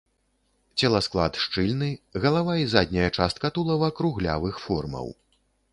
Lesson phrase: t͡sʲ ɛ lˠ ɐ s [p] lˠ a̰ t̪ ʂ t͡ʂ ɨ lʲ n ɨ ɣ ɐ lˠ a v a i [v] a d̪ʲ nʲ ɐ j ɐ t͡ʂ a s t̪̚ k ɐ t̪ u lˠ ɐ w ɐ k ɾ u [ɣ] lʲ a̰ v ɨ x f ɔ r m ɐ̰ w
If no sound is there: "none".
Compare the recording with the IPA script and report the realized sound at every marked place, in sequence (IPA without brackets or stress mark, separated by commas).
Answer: k, z, ɣ